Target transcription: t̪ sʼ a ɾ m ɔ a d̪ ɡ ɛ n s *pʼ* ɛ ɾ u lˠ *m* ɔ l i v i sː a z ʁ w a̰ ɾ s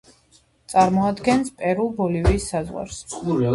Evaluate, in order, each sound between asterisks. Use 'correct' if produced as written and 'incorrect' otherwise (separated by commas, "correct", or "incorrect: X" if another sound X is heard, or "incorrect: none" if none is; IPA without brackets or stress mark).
correct, incorrect: b